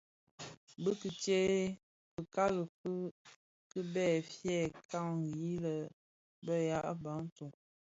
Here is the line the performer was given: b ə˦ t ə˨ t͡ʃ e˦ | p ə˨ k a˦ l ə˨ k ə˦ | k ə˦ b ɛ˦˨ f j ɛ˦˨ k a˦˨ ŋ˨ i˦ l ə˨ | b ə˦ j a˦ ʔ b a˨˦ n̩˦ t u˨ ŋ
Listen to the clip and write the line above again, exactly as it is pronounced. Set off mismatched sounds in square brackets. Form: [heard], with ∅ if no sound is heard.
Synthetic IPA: b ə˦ [k] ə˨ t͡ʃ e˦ | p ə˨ k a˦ l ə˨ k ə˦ | k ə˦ b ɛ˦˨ f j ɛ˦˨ k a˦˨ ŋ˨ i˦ l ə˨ | b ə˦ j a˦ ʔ b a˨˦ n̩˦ t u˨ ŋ